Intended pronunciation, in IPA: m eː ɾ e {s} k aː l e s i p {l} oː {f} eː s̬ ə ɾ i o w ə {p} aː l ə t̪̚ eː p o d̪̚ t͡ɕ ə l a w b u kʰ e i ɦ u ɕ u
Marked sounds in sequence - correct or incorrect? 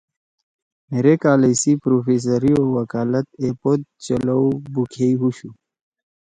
incorrect: none, incorrect: ɾ, correct, incorrect: k

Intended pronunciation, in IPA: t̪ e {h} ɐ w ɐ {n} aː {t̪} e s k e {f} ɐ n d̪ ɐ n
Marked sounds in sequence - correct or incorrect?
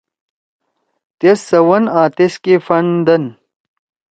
incorrect: s, correct, correct, correct

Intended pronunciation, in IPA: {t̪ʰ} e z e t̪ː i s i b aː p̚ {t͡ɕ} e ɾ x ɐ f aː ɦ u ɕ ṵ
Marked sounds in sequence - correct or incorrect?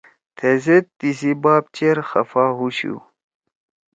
correct, correct

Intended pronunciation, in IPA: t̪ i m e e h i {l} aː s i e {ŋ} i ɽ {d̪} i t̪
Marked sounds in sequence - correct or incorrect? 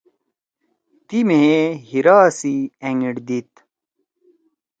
incorrect: ɾ, correct, correct

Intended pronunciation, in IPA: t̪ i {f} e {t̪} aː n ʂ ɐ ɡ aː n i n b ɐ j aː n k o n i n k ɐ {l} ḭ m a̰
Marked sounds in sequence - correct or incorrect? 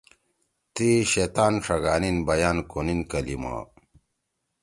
incorrect: ɕ, correct, correct

